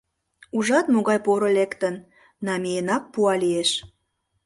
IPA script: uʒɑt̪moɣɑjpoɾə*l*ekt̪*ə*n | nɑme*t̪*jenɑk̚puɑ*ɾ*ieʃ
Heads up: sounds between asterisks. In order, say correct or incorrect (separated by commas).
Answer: correct, correct, incorrect, incorrect